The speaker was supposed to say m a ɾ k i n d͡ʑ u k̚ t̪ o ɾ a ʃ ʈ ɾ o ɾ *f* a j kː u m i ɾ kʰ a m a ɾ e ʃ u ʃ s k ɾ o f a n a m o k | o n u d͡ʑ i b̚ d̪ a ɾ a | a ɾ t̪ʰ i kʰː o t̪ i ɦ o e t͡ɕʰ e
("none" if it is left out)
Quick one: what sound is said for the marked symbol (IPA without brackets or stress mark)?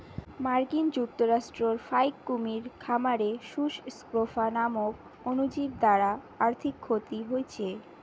f